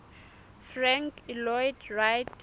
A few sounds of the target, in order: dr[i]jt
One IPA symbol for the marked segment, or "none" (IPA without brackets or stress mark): a